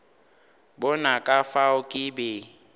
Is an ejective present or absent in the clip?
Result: present